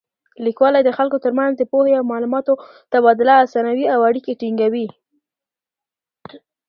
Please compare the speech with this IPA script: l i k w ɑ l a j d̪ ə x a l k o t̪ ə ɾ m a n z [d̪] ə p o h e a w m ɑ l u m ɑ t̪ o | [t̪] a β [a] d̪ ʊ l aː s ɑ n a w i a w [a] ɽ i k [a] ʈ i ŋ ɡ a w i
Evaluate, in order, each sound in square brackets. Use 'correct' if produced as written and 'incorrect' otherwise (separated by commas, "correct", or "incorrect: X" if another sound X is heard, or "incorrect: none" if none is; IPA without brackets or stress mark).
correct, correct, incorrect: ɑ, correct, incorrect: e